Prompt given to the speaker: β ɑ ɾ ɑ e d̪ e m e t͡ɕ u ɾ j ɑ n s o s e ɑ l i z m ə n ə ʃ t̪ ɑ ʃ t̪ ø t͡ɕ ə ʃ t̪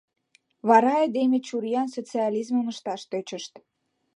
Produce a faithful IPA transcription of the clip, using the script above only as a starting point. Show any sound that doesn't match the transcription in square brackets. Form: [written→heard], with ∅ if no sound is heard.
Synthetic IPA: β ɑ ɾ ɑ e d̪ e m e t͡ɕ u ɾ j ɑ n s o [s→t͡s] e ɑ l i z m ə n ə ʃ t̪ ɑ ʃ t̪ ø t͡ɕ ə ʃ t̪